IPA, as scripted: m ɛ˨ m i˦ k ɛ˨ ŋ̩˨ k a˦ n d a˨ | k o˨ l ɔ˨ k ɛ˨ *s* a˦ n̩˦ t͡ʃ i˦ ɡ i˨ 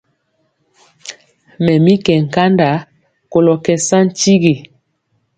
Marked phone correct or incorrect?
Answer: correct